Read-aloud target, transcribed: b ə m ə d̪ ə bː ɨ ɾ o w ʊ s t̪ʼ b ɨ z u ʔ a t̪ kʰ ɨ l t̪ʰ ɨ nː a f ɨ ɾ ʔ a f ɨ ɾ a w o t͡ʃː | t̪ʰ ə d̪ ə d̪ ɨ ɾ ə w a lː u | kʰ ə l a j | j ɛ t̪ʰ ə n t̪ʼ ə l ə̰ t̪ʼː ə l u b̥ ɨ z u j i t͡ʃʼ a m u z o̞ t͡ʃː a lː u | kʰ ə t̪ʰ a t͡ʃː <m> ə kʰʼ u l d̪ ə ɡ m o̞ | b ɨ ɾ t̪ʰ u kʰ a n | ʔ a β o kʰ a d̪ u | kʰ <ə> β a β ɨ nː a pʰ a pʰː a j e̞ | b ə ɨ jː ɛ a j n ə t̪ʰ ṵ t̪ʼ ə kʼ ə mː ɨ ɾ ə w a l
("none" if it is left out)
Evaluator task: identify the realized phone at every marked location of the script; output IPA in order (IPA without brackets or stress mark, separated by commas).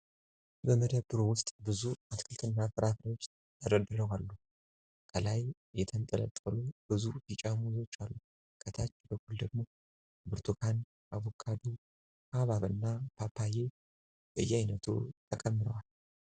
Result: b, a